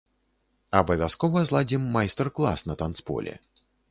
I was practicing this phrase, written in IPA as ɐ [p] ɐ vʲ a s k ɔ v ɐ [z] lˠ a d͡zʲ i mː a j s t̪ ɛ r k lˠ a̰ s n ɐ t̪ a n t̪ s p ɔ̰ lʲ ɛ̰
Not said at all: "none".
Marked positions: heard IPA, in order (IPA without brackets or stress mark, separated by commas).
b, z